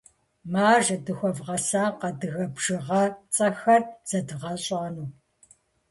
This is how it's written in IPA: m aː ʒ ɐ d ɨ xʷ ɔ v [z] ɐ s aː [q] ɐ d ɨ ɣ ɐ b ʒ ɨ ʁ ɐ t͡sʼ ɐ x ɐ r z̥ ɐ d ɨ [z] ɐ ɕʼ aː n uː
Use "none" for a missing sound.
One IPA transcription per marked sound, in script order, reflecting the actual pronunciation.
ʁ, q, ʁ

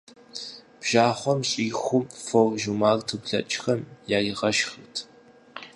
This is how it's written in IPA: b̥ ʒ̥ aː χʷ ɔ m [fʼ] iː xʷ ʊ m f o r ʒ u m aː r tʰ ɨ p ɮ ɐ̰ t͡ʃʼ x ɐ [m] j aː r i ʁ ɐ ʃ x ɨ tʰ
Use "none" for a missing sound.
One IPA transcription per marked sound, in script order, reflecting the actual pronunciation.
ɕʼ, m

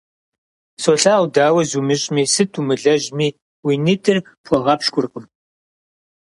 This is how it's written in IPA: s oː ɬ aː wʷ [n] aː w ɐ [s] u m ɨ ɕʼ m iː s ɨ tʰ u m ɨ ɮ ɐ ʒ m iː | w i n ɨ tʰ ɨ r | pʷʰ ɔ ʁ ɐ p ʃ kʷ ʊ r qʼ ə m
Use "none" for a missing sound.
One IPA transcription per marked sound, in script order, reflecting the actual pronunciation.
d, z

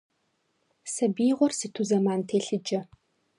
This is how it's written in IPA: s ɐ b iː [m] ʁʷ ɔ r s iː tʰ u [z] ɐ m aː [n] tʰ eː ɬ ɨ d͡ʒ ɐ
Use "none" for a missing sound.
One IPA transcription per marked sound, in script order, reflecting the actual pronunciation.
none, z, n

